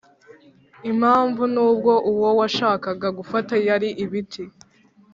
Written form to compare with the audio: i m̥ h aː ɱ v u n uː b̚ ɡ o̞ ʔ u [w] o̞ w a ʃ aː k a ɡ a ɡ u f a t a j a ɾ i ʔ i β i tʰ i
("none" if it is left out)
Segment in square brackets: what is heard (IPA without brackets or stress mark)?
w